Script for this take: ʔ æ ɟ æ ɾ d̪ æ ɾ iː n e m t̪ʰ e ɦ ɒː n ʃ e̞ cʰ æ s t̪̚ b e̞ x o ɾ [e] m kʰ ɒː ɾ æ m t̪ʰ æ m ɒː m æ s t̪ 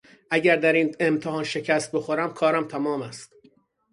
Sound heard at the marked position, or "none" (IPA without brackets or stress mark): æ